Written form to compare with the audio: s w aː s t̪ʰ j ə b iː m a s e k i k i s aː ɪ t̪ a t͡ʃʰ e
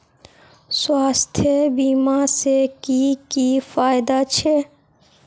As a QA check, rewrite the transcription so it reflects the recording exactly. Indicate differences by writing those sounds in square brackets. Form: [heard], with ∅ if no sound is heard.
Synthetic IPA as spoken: s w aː s t̪ʰ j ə b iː m a s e k i k i [f] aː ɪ [d̪] a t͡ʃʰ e